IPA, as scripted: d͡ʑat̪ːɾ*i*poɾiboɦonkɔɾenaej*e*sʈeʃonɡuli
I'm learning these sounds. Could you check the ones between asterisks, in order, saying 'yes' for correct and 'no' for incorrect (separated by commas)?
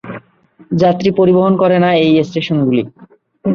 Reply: yes, yes